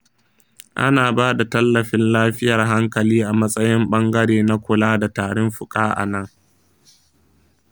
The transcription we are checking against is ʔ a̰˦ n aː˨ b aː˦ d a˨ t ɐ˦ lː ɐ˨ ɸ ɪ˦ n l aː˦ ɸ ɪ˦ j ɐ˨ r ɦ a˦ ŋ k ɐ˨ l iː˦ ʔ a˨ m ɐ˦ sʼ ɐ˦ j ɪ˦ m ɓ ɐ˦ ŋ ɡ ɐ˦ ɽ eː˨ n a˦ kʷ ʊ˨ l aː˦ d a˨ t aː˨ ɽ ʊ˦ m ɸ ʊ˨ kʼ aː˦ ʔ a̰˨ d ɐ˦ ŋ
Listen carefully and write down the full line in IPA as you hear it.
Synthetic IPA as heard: ʔ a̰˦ n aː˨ b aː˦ d a˨ t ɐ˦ lː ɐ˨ ɸ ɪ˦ n l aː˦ ɸ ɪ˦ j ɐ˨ r ɦ a˦ ŋ k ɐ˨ l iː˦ ʔ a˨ m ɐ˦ sʼ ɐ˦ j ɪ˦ m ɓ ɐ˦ ŋ ɡ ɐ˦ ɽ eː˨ n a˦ kʷ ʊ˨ l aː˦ d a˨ t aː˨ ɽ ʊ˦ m ɸ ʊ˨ kʼ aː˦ ʔ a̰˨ n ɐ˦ ŋ